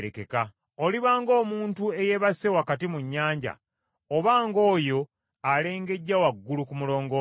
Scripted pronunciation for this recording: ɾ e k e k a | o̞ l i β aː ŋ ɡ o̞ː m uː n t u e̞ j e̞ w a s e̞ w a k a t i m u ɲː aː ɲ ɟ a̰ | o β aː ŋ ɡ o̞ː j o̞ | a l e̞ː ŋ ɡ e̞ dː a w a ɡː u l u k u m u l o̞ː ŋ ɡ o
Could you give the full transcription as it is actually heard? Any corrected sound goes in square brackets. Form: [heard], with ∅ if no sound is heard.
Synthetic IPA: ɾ e k e k a | o̞ l i β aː ŋ ɡ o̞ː m uː n t u e̞ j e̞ [β] a s e̞ w a k a t i m u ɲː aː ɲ ɟ a̰ | o β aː ŋ ɡ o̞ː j o̞ | a l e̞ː ŋ ɡ e̞ [ɟː] a w a ɡː u l u k u m u l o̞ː ŋ ɡ o